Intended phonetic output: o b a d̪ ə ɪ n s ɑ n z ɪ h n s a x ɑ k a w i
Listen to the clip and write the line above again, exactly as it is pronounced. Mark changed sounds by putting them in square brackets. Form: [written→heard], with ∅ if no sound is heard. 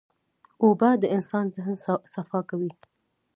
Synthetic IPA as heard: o b a d̪ ə ɪ n s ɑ n z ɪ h n s a [x→f] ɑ k a w i